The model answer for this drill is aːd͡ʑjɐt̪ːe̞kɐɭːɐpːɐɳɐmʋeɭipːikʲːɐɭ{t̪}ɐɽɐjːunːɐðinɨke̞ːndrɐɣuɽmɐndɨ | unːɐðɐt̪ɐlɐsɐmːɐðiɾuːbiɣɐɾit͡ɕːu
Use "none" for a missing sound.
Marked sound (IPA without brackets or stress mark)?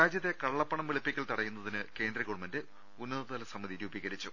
t̪